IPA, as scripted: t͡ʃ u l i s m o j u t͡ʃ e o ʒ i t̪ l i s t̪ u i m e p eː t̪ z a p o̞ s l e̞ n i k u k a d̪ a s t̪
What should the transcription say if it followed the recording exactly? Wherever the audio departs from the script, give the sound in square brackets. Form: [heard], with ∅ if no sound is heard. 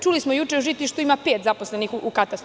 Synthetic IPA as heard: t͡ʃ u l i s m o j u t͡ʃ e [u] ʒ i t̪ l i [ʃ] t̪ u i m [a] p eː t̪ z a p o̞ s l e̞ n i [x] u k a [t̪] a s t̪